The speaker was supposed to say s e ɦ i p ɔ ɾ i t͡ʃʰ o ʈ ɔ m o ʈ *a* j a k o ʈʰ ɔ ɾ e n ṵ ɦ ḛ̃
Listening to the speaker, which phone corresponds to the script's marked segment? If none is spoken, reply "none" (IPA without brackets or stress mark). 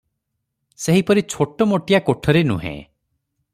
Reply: i